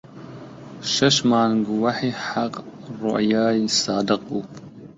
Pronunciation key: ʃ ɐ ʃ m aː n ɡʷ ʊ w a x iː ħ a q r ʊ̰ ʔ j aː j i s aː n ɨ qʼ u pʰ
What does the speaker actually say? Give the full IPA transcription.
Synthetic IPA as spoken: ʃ ɐ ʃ m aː n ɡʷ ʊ w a ħ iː ħ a q r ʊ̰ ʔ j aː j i s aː d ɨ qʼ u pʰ